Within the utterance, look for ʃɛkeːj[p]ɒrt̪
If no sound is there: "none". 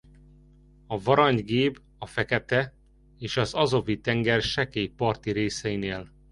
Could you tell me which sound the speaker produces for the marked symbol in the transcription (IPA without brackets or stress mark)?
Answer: p